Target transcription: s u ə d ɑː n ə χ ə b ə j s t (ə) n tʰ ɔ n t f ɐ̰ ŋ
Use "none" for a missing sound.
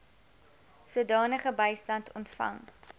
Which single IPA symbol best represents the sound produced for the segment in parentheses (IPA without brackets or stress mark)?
ɐ